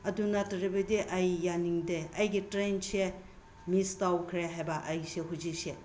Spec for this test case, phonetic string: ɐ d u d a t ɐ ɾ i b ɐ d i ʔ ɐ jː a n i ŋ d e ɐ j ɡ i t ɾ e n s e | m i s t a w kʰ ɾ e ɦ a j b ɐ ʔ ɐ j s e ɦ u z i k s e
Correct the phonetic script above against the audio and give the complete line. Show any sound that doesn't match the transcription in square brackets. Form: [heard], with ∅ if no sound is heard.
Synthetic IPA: ɐ d u [n] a t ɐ ɾ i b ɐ d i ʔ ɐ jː a n i ŋ d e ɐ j ɡ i t ɾ e n s e | m i s t a w kʰ ɾ e ɦ a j b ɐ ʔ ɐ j s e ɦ u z i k s e